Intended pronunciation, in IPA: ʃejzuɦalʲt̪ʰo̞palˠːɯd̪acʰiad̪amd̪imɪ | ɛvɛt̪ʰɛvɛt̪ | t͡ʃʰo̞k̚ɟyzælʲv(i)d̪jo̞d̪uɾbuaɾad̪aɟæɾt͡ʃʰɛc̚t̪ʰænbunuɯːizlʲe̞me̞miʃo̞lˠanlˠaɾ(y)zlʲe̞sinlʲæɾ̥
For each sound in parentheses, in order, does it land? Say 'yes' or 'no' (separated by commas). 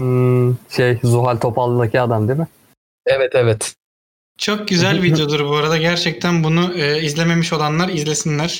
yes, no